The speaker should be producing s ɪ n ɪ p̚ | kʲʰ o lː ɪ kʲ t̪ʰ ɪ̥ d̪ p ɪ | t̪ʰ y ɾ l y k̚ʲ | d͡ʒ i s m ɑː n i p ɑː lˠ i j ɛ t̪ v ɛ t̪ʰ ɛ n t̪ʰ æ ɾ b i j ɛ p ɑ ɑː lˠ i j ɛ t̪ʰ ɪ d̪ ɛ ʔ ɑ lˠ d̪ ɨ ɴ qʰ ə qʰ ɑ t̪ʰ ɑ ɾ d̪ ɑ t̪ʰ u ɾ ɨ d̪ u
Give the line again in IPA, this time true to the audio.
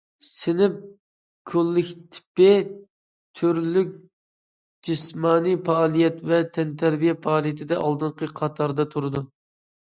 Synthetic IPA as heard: s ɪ n ɪ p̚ | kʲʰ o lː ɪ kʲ t̪ʰ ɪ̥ p ɪ | t̪ʰ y ɾ l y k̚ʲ | d͡ʒ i s m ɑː n i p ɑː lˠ i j ɛ t̪ v ɛ t̪ʰ ɛ n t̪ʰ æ ɾ b i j ɛ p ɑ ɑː lˠ i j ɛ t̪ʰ ɪ d̪ ɛ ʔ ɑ lˠ d̪ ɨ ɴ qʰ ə qʰ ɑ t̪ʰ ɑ ɾ d̪ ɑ t̪ʰ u ɾ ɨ d̪ u